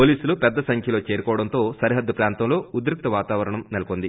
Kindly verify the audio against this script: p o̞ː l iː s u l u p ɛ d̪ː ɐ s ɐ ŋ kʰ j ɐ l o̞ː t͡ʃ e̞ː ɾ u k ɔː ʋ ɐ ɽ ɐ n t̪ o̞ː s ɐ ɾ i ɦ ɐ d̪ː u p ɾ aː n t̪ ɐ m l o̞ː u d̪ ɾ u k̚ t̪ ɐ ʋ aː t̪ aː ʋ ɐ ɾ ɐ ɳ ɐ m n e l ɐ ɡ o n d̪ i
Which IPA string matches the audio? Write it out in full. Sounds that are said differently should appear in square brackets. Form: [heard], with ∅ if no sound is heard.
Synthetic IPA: p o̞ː l iː s u l u p ɛ d̪ː ɐ s ɐ ŋ kʰ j ɐ l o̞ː t͡ʃ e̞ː ɾ u k ɔː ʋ ɐ ɽ ɐ n t̪ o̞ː s ɐ ɾ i ɦ ɐ d̪ː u p ɾ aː n t̪ ɐ m l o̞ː u d̪ ɾ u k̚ t̪ ɐ ʋ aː t̪ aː ʋ ɐ ɾ ɐ ɳ ɐ m n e l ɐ [k] o n d̪ i

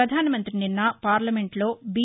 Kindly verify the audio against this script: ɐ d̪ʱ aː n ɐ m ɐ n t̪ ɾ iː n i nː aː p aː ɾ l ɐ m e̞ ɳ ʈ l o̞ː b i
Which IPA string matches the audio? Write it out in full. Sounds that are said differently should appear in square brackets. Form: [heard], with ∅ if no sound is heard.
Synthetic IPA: ɐ d̪ʱ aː n ɐ m ɐ n t̪ ɾ [i] n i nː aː p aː ɾ l ɐ m e̞ ɳ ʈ l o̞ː b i

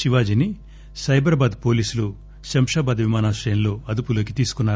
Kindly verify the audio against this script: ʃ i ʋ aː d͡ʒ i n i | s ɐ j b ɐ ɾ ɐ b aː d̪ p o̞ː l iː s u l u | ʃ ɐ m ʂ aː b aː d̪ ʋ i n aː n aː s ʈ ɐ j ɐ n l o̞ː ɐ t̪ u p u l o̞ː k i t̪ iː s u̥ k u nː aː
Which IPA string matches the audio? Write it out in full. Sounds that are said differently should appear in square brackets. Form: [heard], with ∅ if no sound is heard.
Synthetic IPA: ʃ i ʋ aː d͡ʒ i n i | s ɐ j b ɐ ɾ ɐ b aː d̪ p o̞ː l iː s u l u | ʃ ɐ m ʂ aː b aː d̪ ʋ i [m] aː n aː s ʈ ɐ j ɐ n l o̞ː ɐ [d̪] u p u l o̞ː k i t̪ iː s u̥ k u nː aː

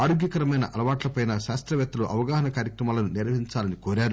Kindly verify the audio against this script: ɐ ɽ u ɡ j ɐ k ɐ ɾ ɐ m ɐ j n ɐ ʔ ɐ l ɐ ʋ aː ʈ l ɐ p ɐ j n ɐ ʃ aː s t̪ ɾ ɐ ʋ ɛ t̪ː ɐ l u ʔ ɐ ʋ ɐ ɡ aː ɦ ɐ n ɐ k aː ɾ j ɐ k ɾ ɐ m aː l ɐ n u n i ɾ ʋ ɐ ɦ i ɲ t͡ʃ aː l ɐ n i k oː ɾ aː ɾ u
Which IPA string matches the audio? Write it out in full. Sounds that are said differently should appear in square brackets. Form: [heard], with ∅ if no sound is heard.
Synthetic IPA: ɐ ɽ u ɡ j ɐ k ɐ ɾ ɐ m ɐ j n ɐ ʔ ɐ l ɐ ʋ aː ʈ l ɐ p ɐ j n ɐ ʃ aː s t̪ ɾ ɐ ʋ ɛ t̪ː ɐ l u ʔ ɐ ʋ ɐ ɡ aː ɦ ɐ n ɐ k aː ɾ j ɐ k ɾ ɐ m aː l ɐ n u n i ɾ ʋ ɐ ɦ i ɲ t͡ʃ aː l ɐ n i k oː ɾ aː ɾ u

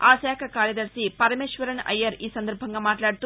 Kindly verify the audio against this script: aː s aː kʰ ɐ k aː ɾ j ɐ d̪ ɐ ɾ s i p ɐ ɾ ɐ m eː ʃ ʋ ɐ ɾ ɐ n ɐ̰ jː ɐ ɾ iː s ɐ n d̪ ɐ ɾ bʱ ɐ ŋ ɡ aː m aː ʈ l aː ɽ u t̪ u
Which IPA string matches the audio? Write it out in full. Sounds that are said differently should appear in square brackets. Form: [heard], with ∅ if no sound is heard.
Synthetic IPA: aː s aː kʰ ɐ k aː ɾ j ɐ d̪ ɐ ɾ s i p ɐ ɾ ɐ m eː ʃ ʋ ɐ ɾ ɐ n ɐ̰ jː ɐ ɾ iː s ɐ n d̪ ɐ ɾ bʱ ɐ ŋ ɡ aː m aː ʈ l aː ɽ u t̪ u

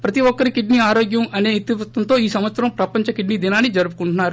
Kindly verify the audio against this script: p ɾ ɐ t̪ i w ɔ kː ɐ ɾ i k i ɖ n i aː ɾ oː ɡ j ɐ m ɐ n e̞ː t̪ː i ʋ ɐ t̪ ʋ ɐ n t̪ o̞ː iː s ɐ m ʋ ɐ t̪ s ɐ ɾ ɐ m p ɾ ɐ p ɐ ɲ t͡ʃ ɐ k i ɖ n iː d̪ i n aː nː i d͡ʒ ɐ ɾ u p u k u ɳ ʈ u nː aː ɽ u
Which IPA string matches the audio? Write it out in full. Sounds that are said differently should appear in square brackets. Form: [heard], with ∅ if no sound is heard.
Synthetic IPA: p ɾ ɐ t̪ i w ɔ kː ɐ ɾ i k i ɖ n i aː ɾ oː ɡ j ɐ m ɐ n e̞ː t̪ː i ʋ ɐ t̪ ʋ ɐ n t̪ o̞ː iː s ɐ m ʋ ɐ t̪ s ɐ ɾ ɐ m p ɾ ɐ p ɐ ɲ t͡ʃ ɐ k i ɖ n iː d̪ i n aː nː i d͡ʒ ɐ ɾ u p u k u ɳ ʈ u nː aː [ɾ] u

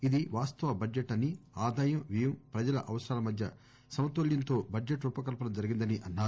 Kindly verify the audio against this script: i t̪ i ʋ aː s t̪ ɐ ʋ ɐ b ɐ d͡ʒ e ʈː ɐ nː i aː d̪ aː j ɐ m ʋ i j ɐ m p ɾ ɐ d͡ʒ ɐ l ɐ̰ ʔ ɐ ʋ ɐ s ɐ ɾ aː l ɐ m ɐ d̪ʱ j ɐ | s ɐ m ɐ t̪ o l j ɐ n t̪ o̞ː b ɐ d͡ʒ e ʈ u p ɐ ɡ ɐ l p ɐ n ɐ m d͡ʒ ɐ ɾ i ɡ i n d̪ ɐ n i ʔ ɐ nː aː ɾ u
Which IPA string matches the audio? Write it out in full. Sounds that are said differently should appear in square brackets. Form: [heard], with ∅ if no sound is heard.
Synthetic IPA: i [d̪] i ʋ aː s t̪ ɐ ʋ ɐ b ɐ d͡ʒ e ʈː ɐ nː i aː d̪ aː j ɐ m ʋ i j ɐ m p ɾ ɐ d͡ʒ ɐ l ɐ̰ ʔ ɐ ʋ ɐ s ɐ ɾ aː l ɐ m ɐ d̪ʱ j ɐ | s ɐ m ɐ t̪ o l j ɐ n t̪ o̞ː b ɐ d͡ʒ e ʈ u p ɐ [k] ɐ l p ɐ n ɐ m d͡ʒ ɐ ɾ i ɡ i n d̪ ɐ n i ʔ ɐ nː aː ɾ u

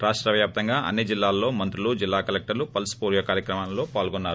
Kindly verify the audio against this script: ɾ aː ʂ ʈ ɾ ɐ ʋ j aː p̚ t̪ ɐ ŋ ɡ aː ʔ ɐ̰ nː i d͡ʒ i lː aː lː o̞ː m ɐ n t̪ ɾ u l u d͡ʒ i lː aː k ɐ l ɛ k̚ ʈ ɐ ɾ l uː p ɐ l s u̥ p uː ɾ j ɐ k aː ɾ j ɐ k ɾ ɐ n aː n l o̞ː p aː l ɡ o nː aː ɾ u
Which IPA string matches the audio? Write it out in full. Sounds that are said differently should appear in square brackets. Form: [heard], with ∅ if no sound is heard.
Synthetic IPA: ɾ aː ʂ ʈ ɾ ɐ ʋ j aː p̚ t̪ ɐ ŋ ɡ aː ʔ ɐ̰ nː i d͡ʒ i lː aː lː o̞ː m ɐ n t̪ ɾ u l u d͡ʒ i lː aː k ɐ l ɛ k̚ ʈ ɐ ɾ l [u] p ɐ l s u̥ p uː ɾ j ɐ k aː ɾ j ɐ k ɾ ɐ [m] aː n l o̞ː p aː l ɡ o nː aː ɾ u

